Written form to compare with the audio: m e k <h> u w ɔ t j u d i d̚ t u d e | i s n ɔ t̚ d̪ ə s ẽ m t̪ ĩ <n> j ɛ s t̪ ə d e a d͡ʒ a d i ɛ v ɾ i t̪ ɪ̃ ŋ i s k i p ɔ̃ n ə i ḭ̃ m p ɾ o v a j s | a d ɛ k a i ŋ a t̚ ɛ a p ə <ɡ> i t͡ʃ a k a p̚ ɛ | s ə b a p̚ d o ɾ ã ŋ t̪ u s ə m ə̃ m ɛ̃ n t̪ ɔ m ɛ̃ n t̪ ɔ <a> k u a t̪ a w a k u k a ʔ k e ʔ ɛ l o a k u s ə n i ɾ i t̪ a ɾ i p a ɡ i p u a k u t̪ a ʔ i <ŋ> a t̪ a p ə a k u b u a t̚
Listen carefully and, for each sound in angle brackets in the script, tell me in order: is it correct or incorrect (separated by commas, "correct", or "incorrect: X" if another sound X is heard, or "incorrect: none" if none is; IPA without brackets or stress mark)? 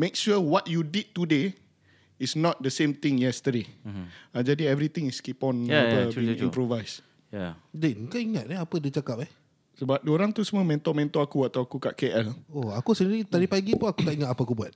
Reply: incorrect: ʃ, incorrect: ŋ, incorrect: d, correct, correct